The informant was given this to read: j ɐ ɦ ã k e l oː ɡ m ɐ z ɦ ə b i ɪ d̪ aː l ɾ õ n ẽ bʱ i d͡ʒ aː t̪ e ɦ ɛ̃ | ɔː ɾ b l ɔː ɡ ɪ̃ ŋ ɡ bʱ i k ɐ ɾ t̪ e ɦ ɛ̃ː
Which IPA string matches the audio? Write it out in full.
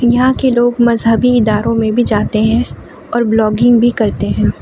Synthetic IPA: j ɐ ɦ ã k e l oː ɡ m ɐ z ɦ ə b i ɪ d̪ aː ɾ õ m ẽ bʱ i d͡ʒ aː t̪ e ɦ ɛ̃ | ɔː ɾ b l ɔː ɡ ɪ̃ ŋ ɡ bʱ i k ɐ ɾ t̪ e ɦ ɛ̃ː